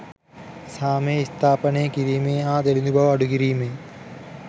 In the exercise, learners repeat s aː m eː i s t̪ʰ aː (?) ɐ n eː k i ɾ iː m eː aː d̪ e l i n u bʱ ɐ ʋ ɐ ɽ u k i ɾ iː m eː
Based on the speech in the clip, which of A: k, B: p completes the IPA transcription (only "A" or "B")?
B